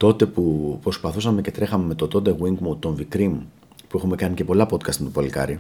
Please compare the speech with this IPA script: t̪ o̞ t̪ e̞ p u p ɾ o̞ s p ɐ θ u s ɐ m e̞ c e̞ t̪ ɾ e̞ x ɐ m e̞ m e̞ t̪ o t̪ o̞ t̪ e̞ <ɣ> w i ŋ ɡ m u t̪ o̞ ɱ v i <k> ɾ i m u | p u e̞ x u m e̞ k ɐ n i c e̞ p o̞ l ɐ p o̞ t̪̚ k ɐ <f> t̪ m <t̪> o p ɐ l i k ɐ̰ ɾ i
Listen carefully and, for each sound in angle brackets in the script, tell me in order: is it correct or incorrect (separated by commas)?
correct, correct, incorrect, correct